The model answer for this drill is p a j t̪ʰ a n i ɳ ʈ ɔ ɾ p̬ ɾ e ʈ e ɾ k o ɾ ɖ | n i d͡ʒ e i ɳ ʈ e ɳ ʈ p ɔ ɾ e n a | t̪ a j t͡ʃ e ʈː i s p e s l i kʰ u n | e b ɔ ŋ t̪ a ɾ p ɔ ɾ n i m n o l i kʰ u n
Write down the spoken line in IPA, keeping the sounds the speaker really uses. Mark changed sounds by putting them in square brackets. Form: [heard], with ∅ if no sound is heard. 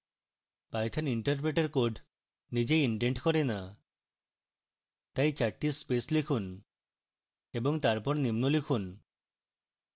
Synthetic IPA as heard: p a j t̪ʰ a n i ɳ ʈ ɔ ɾ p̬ ɾ e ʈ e ɾ k o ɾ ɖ | n i d͡ʒ e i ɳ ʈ e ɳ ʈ [k] ɔ ɾ e n a | t̪ a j t͡ʃ [a] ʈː i s p e s l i kʰ u n | e b ɔ ŋ t̪ a ɾ p ɔ ɾ n i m n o l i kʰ u n